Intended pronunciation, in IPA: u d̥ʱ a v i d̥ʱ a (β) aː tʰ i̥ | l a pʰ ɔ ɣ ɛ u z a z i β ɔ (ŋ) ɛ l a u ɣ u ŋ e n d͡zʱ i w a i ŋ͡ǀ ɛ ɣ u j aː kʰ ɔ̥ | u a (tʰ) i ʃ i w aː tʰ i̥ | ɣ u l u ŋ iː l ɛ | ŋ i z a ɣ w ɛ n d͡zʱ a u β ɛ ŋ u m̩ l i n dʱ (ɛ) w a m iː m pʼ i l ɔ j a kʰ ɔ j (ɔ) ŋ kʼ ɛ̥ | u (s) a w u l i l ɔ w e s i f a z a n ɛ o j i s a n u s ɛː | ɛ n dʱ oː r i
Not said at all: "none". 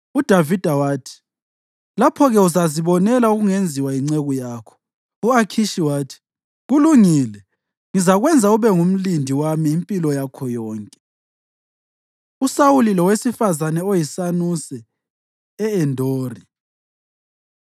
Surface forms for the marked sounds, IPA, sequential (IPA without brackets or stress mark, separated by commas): w, n, kʰ, i, ɔː, s